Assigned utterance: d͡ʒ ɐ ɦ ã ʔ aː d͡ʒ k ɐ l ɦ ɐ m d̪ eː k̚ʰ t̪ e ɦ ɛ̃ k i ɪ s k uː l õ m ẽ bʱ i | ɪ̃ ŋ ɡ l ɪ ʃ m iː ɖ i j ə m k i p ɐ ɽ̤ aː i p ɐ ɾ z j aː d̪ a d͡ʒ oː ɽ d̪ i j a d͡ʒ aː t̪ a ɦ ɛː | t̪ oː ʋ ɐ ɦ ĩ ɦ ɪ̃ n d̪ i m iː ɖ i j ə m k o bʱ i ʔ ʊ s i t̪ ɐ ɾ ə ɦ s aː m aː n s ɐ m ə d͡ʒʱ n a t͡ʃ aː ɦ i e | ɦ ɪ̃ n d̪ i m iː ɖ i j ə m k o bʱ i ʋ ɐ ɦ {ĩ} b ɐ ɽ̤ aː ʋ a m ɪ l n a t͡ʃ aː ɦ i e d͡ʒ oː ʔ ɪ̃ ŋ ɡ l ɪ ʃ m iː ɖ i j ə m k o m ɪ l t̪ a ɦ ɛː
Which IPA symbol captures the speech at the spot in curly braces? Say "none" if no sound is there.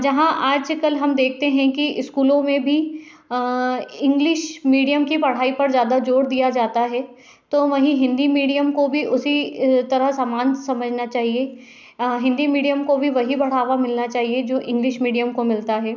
i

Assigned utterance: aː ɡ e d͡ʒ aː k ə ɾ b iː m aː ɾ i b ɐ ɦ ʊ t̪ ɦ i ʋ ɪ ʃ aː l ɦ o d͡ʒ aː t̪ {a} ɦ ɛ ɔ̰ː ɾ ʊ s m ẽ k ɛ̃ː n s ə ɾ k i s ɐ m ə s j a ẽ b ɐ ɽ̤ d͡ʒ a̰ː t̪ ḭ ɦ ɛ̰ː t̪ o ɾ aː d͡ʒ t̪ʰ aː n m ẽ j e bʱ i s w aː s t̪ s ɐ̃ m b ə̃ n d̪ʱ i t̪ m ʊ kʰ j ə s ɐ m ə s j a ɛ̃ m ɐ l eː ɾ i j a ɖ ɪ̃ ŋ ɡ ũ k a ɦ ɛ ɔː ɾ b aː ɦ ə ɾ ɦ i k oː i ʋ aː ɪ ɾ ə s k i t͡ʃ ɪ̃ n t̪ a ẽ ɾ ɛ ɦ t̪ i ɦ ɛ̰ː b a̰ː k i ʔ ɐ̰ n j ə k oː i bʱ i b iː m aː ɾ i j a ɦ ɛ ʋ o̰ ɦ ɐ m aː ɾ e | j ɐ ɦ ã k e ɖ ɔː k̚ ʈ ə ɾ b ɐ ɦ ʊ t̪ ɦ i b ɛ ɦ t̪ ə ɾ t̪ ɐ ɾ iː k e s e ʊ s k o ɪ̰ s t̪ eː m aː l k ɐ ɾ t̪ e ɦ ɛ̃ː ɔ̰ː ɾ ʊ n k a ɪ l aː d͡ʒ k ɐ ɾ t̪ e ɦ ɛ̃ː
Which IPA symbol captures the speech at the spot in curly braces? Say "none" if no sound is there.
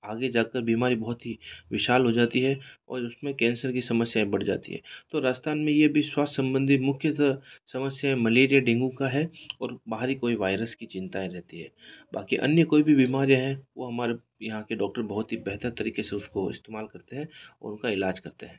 i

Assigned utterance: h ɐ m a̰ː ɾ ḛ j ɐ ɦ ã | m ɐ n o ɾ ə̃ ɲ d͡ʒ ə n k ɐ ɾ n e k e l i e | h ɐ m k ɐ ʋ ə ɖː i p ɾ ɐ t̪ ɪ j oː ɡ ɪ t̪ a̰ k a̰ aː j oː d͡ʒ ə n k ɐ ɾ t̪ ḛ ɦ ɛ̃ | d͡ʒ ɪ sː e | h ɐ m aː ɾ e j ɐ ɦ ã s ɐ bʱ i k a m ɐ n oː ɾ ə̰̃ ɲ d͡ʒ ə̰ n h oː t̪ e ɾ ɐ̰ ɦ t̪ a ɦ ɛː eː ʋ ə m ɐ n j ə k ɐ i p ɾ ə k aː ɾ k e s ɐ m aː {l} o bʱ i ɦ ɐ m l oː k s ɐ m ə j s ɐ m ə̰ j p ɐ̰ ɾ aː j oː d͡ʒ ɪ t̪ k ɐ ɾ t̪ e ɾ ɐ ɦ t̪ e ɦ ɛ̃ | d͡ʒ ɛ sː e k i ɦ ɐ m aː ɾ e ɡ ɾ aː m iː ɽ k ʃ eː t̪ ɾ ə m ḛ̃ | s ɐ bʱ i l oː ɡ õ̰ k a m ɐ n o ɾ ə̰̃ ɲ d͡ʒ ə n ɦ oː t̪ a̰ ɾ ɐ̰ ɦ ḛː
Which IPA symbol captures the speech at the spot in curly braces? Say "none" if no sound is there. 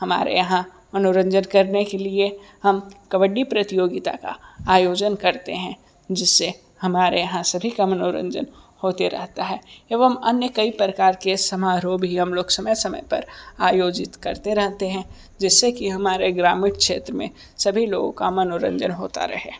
ɾ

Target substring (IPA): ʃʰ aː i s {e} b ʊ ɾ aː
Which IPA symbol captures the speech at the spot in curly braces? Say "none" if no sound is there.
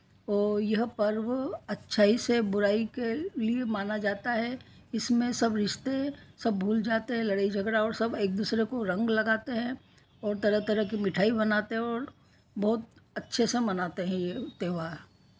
e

